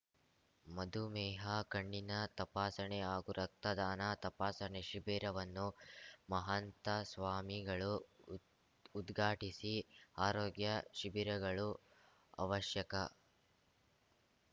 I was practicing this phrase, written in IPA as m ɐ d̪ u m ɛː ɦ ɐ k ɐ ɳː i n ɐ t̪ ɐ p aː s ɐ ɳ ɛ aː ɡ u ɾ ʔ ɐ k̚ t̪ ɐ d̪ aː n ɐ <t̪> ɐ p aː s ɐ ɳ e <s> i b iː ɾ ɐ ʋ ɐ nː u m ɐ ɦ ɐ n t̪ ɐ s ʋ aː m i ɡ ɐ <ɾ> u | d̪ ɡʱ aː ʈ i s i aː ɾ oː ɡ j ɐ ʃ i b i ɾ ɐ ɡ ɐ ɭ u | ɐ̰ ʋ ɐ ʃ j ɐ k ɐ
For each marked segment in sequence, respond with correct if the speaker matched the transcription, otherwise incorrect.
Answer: correct, incorrect: ʃ, incorrect: ɭ

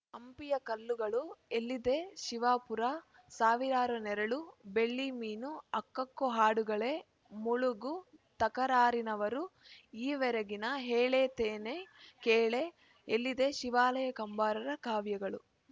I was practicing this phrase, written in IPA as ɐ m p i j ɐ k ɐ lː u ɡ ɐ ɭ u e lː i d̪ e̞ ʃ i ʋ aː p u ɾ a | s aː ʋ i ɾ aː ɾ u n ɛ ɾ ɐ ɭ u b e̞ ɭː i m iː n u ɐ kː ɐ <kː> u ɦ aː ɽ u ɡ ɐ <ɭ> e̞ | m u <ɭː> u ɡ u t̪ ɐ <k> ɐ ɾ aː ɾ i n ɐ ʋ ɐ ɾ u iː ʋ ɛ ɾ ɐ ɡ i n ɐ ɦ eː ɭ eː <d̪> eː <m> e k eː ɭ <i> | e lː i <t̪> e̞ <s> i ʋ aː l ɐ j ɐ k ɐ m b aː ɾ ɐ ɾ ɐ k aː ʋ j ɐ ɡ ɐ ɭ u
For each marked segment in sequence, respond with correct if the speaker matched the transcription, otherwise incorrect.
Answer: correct, correct, incorrect: ɭ, correct, incorrect: t̪, incorrect: n, incorrect: e, incorrect: d̪, incorrect: ʃ

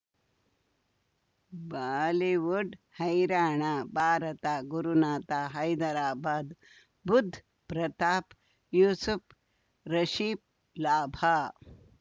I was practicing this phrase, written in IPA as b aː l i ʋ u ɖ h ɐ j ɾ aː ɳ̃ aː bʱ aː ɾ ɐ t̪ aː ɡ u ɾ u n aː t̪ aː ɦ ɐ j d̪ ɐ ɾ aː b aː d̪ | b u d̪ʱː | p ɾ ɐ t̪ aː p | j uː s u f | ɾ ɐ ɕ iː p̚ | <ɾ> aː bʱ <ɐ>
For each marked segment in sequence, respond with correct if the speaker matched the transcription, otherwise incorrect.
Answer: incorrect: l, incorrect: a

